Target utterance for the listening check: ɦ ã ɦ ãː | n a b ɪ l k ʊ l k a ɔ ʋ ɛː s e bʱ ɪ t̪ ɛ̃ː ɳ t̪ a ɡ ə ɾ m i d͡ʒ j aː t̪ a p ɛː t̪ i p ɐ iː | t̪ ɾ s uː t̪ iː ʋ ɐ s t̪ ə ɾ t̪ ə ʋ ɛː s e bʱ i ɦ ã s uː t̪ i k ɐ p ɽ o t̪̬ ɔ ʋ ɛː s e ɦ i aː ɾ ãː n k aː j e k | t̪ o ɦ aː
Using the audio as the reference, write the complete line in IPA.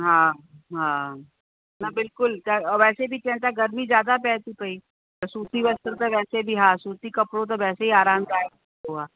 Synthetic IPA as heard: ɦ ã ɦ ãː | n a b ɪ l k ʊ l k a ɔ ʋ ɛː s e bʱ i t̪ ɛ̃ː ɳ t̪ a ɡ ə ɾ m i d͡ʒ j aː d̪ a p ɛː t̪ i p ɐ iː | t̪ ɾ s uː t̪ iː ʋ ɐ s t̪ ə ɾ t̪ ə ʋ ɛː s e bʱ i ɦ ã s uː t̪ i k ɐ p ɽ o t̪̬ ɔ ʋ ɛː s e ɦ i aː ɾ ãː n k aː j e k | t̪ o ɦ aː